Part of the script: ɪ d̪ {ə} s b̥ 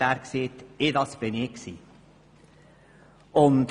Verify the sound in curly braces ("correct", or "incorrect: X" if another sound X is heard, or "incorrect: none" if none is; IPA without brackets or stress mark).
incorrect: ɑ